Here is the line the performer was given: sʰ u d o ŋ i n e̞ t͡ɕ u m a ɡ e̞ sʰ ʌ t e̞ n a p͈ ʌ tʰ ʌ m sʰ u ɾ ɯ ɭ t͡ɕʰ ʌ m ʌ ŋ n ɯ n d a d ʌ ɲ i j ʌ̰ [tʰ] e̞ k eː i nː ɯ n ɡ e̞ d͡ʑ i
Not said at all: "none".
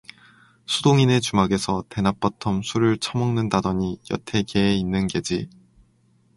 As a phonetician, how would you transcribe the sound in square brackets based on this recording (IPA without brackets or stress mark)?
tʰ